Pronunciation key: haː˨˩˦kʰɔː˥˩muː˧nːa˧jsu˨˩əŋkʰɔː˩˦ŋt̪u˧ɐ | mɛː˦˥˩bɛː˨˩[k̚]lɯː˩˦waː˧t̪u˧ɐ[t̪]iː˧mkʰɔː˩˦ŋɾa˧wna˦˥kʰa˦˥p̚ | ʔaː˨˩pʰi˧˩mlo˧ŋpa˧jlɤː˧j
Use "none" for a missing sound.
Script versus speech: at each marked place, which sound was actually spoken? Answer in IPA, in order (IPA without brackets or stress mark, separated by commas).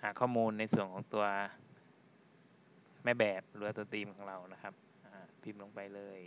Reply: p̚, t̪